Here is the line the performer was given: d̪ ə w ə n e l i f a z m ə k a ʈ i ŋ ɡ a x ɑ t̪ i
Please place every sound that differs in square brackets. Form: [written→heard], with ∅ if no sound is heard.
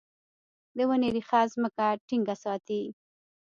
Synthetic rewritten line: d̪ ə w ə n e [l→ɾ] i [f→x] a z m ə k a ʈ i ŋ ɡ a [x→s] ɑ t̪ i